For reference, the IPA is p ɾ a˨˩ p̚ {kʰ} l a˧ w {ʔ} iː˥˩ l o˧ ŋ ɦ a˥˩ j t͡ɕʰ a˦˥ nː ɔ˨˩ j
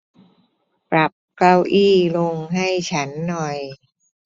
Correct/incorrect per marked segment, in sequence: incorrect: k, correct

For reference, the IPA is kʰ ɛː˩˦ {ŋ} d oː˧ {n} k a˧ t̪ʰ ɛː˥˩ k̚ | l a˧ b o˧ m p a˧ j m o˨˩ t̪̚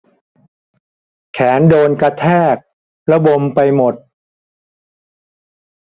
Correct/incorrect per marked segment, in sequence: incorrect: n, correct

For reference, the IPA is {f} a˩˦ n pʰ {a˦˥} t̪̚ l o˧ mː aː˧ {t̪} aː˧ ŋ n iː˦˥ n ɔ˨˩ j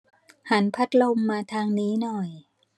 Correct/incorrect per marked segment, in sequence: incorrect: h, correct, incorrect: t̪ʰ

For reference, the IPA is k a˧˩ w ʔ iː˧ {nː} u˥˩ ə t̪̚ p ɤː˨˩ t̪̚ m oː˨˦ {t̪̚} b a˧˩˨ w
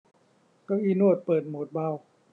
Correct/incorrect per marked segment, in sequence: incorrect: n, correct

